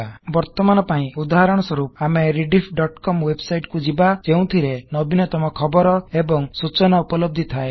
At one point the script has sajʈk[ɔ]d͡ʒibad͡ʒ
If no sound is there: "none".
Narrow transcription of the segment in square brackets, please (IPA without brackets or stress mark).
u